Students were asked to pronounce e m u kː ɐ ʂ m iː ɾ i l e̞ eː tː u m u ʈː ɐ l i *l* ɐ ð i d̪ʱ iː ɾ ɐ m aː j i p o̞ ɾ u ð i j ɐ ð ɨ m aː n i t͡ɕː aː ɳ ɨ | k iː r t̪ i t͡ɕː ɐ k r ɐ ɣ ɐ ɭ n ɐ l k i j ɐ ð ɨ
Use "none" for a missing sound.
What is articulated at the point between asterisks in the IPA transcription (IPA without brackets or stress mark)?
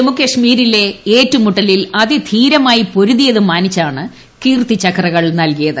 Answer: l